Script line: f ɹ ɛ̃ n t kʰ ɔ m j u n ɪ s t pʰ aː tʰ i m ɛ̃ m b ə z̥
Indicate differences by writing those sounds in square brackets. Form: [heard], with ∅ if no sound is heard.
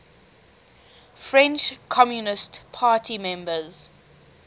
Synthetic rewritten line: f ɹ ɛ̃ n [t͡ʃ] kʰ ɔ m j u n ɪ s t pʰ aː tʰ i m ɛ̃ m b ə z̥